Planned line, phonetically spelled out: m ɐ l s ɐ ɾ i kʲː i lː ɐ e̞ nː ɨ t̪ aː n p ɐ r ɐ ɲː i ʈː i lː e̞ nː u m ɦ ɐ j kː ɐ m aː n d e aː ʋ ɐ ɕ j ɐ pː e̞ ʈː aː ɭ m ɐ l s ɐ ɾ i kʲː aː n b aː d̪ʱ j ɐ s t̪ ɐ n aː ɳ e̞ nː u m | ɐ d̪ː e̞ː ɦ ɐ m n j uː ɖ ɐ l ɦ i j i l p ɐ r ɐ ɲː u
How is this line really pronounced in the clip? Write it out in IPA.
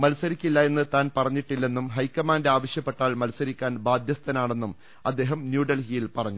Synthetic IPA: m ɐ l s ɐ ɾ i kʲː i lː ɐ e̞ nː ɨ t̪ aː n p ɐ r ɐ ɲː i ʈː i lː e̞ nː u m ɦ ɐ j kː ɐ m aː n d e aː ʋ ɐ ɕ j ɐ pː e̞ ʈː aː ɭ m ɐ l s ɐ ɾ i kʲː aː n b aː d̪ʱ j ɐ s t̪ ɐ n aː ɳ e̞ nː u m | ɐ d̪ː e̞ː ɦ ɐ m n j uː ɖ ɐ l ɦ i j i l p ɐ r ɐ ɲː u